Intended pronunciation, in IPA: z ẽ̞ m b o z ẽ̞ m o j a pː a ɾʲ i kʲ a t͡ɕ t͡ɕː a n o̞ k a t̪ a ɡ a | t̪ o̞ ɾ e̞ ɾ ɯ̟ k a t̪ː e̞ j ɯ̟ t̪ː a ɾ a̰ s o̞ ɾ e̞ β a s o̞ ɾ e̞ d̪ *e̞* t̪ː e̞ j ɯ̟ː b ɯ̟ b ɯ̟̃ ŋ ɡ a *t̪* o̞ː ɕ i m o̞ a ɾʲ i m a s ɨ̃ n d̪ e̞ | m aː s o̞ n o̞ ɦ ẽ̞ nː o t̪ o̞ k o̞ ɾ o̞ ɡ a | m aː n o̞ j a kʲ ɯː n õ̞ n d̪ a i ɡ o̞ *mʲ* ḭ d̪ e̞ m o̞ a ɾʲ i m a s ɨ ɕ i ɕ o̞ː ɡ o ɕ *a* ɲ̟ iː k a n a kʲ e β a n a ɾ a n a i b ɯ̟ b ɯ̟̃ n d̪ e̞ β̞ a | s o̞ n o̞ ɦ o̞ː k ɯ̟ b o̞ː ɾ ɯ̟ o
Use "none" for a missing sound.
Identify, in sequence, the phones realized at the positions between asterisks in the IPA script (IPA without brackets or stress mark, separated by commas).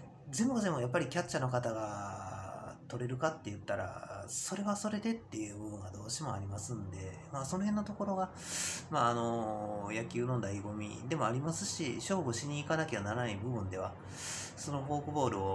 e̞, d̪, mʲ, i